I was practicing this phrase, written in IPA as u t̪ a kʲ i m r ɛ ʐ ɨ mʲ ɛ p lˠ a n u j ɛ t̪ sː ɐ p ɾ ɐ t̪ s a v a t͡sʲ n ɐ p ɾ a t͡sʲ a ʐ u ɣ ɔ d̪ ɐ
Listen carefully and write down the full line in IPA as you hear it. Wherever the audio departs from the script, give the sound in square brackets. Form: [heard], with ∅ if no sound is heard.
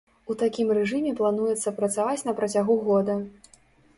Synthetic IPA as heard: u t̪ a kʲ i m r ɛ ʐ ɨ mʲ ɛ p lˠ a n u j ɛ t̪ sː ɐ p ɾ ɐ t̪ s a v a t͡sʲ n ɐ p ɾ [ɐ] t͡sʲ a [ɣ] u ɣ ɔ d̪ ɐ